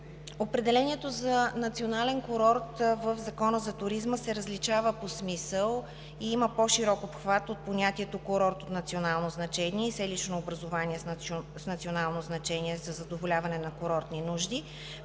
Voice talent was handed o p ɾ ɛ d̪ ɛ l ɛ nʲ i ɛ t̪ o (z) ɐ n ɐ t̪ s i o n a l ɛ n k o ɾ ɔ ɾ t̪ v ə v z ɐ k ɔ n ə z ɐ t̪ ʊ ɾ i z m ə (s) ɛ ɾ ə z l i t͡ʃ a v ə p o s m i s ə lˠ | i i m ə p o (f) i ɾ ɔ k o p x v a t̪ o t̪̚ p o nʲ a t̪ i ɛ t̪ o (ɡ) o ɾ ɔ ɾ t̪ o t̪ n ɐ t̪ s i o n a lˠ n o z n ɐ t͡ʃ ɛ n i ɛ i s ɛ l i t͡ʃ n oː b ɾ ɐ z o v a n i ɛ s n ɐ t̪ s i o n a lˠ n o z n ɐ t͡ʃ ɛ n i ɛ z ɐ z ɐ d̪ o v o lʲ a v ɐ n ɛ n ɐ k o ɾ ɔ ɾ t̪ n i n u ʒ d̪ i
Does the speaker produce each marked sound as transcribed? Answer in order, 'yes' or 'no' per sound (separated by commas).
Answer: yes, yes, no, no